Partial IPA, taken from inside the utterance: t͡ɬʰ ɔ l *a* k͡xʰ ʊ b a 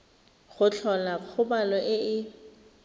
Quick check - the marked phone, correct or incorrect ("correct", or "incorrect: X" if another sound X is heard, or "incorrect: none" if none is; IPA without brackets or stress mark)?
correct